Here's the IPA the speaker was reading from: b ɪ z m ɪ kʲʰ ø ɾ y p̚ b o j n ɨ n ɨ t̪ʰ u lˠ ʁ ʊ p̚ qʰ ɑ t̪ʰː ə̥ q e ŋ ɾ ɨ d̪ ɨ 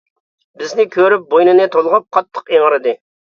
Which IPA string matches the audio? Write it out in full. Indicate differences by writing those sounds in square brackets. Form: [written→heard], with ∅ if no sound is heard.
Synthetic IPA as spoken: b ɪ z [m→n] ɪ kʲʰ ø ɾ y p̚ b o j n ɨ n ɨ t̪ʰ [u→o] lˠ ʁ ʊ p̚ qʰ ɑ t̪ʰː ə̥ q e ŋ ɾ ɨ d̪ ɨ